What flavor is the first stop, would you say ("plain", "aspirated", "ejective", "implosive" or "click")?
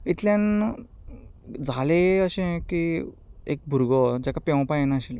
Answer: plain